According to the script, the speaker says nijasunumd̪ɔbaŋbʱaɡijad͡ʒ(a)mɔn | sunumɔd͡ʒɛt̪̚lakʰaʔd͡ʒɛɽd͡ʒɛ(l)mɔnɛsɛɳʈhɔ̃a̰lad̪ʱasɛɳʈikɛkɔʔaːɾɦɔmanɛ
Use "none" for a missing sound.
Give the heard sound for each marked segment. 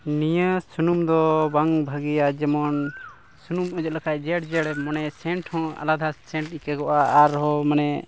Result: ɛ, ɽ

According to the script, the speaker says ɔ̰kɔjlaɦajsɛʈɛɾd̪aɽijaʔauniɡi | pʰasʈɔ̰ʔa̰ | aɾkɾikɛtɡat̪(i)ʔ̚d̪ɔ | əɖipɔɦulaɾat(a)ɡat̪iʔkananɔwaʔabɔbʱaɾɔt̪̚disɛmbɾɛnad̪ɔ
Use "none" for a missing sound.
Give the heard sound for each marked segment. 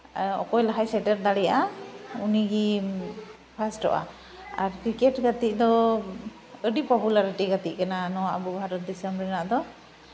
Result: i, i

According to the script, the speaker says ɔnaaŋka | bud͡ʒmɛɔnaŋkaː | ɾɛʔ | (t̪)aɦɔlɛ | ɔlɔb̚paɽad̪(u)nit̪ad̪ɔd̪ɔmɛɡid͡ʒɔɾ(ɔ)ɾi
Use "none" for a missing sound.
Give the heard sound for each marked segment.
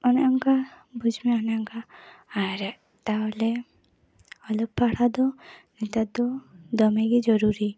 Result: t̪, ɔ, u

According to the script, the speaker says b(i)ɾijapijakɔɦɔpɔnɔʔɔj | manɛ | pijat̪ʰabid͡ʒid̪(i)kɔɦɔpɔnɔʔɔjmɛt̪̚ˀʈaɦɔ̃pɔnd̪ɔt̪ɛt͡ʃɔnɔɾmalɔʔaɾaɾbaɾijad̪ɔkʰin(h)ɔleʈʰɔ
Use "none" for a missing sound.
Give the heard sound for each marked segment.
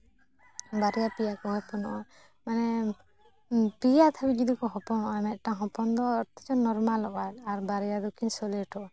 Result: a, i, s

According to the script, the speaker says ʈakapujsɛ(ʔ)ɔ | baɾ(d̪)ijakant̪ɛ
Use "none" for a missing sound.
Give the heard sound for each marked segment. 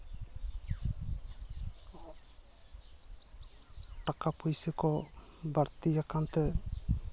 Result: k, t̪

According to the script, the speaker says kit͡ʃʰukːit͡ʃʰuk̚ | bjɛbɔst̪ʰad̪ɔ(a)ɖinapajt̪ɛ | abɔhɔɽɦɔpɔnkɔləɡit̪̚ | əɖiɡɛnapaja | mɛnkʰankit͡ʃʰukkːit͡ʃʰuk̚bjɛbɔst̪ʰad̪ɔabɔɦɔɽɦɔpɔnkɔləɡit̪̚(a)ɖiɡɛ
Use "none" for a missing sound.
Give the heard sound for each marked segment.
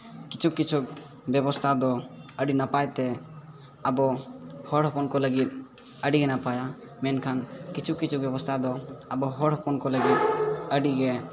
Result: ə, ə

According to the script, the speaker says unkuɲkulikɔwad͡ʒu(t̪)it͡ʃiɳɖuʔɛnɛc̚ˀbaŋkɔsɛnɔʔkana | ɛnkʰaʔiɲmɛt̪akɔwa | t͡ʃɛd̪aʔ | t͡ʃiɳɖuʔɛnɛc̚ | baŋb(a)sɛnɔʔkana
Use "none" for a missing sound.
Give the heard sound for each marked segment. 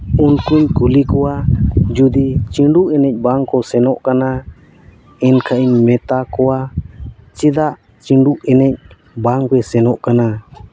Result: d̪, ɛ

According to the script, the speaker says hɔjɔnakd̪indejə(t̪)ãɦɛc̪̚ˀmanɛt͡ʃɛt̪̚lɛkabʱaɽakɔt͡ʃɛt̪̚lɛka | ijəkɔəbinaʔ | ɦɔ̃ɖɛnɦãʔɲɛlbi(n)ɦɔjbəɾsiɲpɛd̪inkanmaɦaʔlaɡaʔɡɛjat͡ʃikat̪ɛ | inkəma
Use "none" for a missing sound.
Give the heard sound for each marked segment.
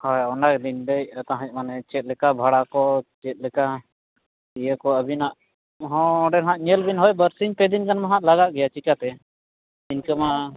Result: t̪, n

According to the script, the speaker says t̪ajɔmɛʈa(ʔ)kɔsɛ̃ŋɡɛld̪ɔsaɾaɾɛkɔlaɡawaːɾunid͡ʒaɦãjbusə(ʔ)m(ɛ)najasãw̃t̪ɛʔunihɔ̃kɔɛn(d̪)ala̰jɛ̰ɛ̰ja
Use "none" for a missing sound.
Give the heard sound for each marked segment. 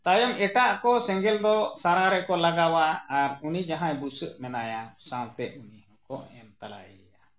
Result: ʔ, ʔ, ɛ, t̪

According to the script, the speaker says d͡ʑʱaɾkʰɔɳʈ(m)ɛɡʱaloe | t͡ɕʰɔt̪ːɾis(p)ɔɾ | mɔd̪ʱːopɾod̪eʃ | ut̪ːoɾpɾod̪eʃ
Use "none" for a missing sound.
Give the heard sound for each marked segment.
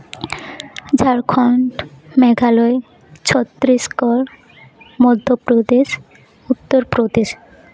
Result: m, k

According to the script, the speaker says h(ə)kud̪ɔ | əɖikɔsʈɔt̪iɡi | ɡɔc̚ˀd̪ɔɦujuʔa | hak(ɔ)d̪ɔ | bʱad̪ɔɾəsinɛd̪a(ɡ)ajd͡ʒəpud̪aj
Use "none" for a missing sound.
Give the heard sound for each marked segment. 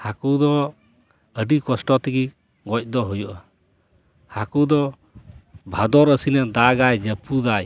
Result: a, u, ɡ

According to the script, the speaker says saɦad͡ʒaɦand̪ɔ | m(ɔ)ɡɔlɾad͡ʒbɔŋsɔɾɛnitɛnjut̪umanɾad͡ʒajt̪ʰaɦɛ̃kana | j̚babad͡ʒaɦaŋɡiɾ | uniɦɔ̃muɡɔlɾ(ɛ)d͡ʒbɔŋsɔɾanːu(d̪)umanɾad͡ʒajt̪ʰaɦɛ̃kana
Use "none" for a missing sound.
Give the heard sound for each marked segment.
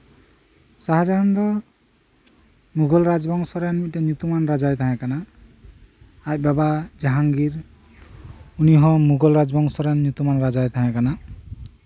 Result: u, a, t̪

